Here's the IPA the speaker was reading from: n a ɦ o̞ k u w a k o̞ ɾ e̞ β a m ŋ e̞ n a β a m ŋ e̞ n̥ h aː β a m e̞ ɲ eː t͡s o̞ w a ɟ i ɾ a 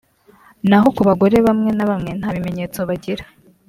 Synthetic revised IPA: n a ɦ o̞ k u β a ɡ o̞ ɾ e̞ β a m ŋ e̞ n a β a m ŋ e̞ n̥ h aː β i m e̞ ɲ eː t͡s o̞ β a ɟ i ɾ a